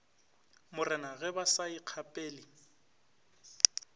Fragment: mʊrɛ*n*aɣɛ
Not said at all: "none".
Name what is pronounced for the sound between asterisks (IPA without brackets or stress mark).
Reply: n